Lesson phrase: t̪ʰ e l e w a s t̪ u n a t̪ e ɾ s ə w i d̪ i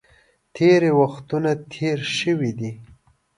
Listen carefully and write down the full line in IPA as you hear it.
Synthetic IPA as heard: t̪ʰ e ɾ e w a x t̪ u n a t̪ʰ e ɾ ʃ ə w i d̪ i